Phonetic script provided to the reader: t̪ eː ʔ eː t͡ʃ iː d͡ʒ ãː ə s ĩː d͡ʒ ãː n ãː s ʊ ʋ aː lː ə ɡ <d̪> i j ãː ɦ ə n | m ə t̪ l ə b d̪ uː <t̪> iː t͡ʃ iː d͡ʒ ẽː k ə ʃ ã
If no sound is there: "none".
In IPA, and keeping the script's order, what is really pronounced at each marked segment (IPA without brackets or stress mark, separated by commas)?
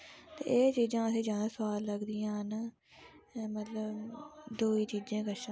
d̪, none